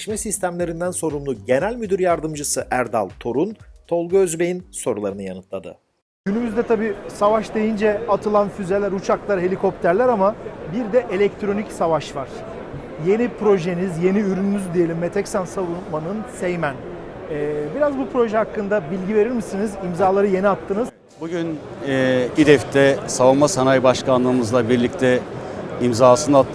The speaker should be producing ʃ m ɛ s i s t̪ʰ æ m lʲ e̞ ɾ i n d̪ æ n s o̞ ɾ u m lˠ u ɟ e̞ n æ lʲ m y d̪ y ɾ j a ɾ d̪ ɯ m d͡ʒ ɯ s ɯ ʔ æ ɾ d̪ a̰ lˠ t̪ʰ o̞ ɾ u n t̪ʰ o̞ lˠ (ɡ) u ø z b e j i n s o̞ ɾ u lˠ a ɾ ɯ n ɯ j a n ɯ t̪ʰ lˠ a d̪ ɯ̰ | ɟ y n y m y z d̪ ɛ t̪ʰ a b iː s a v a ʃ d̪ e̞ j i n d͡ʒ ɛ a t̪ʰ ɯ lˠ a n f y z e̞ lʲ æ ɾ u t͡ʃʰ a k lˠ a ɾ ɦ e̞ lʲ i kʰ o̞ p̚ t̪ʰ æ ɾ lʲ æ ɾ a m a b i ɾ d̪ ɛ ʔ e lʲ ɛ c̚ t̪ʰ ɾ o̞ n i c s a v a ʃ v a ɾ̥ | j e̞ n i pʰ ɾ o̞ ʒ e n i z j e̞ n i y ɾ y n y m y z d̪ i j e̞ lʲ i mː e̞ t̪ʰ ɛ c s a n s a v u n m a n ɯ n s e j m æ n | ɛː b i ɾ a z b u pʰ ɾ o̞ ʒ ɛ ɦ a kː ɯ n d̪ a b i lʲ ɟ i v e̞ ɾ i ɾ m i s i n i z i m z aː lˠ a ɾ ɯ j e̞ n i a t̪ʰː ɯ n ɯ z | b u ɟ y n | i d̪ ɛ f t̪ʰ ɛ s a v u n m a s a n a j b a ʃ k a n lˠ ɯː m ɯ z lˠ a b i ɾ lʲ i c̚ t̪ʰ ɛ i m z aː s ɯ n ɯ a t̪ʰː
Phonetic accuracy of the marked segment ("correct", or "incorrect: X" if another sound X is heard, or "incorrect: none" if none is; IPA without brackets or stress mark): correct